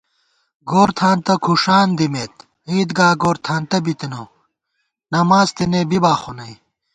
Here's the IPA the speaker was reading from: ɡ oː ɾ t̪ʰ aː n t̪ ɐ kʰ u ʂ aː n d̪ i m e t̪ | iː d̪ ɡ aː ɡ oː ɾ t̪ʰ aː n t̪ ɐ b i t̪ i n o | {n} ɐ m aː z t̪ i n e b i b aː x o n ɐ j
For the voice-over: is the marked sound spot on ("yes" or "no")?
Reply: yes